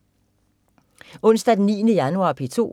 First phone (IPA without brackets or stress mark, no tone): ɔ̽